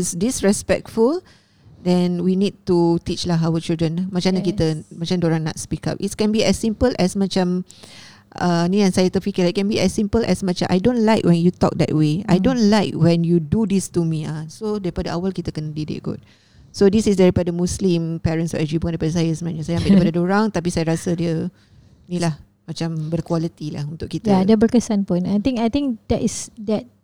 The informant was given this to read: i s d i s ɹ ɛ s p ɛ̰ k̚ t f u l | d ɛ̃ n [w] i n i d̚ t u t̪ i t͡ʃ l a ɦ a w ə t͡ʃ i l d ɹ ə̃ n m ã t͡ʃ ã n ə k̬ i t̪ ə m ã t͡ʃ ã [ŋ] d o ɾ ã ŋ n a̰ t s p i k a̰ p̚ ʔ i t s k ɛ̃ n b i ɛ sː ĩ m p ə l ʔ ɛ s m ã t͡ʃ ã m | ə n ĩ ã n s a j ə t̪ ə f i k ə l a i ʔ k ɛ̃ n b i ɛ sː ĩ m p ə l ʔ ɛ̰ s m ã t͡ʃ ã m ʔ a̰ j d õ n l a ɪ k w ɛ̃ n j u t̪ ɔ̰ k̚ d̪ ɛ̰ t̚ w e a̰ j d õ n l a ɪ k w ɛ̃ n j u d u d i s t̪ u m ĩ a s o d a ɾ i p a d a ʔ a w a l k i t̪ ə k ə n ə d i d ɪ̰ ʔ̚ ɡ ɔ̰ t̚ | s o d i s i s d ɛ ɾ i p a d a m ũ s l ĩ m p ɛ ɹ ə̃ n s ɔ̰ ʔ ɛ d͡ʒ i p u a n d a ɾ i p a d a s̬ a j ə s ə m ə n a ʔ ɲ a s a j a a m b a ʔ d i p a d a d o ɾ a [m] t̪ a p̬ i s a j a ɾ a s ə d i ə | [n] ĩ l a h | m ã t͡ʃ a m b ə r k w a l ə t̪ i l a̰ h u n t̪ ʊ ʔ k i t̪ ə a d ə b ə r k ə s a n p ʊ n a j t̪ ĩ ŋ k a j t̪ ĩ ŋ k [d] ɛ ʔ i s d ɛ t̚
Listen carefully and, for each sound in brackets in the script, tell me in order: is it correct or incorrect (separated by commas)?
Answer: correct, incorrect, incorrect, correct, correct